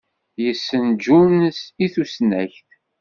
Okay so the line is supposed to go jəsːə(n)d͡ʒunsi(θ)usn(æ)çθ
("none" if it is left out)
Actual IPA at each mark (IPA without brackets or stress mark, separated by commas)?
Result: n, θ, æ